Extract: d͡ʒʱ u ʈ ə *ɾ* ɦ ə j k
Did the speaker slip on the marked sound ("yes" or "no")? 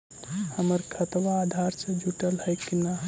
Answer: yes